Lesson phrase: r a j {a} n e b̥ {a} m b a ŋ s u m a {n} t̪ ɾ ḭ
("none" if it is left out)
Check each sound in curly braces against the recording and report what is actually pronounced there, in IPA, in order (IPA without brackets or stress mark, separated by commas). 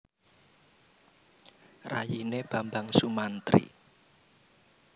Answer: i, a, n